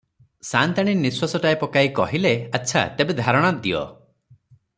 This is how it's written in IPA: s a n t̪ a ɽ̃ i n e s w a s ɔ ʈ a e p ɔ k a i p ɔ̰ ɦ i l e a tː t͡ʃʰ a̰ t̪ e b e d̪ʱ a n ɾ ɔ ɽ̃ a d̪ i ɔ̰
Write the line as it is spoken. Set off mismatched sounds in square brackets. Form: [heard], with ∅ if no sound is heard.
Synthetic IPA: s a n t̪ a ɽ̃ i n [i] s w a s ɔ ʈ a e p ɔ k a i [k] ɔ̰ ɦ i l e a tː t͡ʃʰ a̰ t̪ e b e d̪ʱ a [∅] ɾ ɔ ɽ̃ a d̪ i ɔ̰